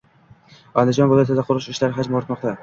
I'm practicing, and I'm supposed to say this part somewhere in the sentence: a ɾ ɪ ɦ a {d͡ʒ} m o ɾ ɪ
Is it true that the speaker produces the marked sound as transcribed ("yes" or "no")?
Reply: yes